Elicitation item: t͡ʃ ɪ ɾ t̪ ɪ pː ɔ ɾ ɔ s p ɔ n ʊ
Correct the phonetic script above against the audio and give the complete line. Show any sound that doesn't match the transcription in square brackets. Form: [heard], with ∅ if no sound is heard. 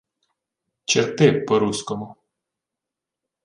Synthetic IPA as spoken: t͡ʃ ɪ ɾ t̪ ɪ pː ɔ ɾ [u] s [k] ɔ [m] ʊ